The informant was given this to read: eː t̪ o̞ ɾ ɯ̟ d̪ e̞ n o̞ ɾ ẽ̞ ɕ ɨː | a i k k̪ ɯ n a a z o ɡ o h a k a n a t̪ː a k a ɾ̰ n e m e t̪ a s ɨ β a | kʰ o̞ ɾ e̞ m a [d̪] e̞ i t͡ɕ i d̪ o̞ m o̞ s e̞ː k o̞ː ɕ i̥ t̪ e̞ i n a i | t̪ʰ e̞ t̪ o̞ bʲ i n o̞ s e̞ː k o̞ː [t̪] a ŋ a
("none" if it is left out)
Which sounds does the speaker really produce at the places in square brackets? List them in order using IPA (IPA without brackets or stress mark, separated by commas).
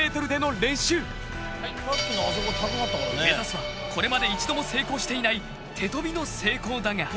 d̪, d̪